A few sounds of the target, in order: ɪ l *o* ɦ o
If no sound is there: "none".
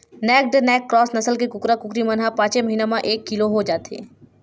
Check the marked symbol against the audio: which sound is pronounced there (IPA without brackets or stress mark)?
o